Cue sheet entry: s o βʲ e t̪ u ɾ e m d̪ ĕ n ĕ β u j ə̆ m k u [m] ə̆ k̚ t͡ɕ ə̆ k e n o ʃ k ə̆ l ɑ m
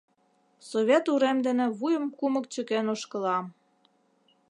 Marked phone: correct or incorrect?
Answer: correct